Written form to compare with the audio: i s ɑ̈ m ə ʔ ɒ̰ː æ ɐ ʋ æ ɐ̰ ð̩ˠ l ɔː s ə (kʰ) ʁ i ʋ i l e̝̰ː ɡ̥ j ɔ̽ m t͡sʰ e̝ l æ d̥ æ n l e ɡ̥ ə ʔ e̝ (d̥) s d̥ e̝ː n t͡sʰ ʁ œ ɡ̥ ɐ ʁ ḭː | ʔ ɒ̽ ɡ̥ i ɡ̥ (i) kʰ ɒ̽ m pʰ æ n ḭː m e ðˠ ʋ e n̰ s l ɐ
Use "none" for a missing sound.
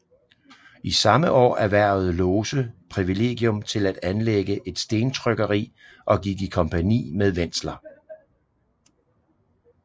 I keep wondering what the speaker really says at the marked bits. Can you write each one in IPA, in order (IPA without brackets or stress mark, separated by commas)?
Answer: pʰ, d̥, i